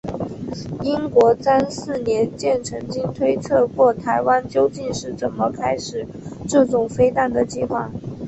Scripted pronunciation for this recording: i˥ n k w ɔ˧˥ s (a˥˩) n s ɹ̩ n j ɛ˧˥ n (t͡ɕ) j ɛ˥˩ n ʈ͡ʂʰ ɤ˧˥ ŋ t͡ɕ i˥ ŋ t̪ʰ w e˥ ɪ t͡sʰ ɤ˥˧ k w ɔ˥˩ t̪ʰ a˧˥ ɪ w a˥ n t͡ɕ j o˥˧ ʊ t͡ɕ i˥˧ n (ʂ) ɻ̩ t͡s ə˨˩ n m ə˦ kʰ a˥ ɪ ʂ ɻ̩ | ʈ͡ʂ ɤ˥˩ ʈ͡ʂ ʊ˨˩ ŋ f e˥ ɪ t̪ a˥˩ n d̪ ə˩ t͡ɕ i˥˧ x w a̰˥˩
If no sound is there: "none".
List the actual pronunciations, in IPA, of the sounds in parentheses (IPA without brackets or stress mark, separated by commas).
a˥, t͡ɕ, ʂ